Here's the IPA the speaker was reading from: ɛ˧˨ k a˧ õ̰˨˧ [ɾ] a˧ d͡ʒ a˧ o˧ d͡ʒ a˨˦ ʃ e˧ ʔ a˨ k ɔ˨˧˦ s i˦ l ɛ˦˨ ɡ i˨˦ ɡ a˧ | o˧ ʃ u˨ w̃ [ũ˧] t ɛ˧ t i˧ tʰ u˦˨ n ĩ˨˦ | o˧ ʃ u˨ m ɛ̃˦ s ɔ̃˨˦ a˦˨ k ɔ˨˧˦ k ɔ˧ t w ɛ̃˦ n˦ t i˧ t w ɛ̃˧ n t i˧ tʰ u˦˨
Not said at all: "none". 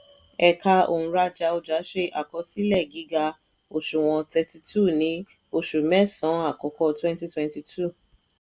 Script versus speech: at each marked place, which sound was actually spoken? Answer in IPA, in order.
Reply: ɾ, ɔ̃˧

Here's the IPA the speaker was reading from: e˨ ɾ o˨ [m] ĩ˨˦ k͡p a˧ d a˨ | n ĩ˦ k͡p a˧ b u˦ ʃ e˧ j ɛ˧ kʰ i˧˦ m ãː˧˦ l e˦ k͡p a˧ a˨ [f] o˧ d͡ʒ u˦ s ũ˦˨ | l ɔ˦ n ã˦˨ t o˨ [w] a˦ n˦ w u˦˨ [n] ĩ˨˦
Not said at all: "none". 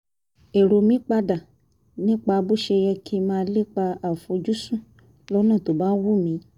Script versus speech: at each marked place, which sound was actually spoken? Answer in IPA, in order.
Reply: m, f, b, m

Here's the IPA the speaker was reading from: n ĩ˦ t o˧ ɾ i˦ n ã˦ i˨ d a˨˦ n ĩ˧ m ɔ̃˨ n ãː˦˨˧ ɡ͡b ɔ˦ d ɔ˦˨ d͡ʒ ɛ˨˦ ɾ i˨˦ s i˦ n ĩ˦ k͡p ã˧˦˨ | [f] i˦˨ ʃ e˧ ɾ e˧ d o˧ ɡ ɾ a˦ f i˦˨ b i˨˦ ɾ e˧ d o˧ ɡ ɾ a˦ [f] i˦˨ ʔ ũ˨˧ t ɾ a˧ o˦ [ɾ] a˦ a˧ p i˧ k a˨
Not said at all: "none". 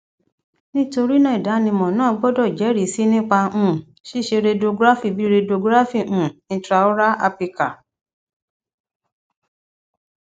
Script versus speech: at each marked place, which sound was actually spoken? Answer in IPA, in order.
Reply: ʃ, f, ɾ

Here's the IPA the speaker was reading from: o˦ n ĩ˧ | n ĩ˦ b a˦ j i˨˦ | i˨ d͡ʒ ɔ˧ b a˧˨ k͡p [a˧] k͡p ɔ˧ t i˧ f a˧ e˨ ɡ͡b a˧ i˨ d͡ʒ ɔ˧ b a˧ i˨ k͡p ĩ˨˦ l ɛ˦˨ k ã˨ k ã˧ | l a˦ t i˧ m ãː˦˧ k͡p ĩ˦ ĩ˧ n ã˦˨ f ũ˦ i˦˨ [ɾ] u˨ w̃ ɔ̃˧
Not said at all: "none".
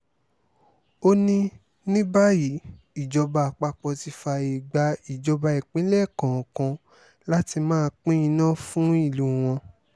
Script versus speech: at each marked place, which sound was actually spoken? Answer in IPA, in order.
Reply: a˧, l

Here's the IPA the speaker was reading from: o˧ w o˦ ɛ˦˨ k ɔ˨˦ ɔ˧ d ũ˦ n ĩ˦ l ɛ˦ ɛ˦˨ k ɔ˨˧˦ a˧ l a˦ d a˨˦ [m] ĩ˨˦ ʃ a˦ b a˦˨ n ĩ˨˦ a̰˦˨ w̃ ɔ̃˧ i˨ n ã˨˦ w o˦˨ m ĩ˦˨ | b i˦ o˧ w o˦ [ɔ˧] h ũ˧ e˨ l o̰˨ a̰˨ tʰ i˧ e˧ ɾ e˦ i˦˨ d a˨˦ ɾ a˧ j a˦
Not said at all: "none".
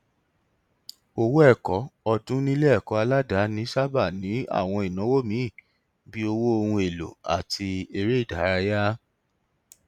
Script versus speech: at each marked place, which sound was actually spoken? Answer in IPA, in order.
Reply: n, o˧

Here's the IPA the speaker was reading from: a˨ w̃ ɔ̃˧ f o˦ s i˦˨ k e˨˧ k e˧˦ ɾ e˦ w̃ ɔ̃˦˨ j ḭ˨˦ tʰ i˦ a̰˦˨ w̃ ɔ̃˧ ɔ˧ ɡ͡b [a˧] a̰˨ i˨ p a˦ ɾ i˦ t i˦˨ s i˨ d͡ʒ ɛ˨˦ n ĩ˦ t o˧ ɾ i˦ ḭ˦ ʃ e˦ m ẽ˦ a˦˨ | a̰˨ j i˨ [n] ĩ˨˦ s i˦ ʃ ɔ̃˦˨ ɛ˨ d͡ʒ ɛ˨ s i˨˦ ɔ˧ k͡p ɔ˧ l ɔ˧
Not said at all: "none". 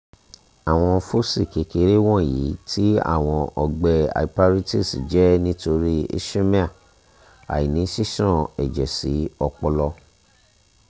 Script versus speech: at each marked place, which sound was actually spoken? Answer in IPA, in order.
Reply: ɛ˧, n

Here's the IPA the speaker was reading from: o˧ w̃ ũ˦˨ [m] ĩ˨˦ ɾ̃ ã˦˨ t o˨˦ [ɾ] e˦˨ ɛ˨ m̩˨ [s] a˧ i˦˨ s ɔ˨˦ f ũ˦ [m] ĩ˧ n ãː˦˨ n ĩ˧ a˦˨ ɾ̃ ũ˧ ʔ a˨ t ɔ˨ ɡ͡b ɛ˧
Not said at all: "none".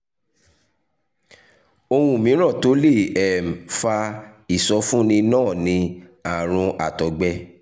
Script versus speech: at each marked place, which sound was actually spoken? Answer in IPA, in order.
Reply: m, l, f, n

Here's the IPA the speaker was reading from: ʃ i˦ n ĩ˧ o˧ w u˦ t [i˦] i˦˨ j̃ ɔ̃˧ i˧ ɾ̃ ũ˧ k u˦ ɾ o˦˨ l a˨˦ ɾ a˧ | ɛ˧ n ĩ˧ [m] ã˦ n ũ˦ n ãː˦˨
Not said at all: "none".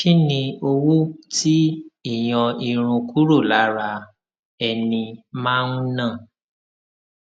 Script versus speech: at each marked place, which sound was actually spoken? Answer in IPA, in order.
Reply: i˦, m

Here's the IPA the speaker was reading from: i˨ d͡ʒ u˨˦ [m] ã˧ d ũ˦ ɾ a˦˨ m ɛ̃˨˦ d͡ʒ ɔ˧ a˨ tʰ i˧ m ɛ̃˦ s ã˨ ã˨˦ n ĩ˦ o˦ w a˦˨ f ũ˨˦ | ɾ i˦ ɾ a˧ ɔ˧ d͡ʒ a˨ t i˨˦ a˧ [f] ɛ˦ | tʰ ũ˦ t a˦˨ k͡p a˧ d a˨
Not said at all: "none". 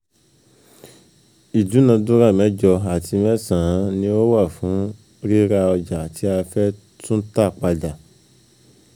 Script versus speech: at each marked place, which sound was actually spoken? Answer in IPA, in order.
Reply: n, f

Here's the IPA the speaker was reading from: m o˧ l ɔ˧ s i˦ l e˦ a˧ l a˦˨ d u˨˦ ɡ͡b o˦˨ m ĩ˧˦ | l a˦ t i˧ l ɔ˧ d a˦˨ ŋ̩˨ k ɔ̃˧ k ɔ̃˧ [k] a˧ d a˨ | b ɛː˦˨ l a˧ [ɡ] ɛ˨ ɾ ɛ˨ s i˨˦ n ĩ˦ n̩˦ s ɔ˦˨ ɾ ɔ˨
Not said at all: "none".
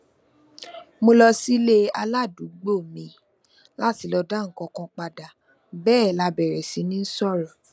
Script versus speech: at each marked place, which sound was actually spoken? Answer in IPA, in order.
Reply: k͡p, b

